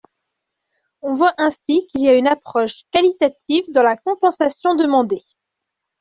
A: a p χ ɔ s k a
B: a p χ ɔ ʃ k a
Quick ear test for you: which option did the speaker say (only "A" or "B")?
B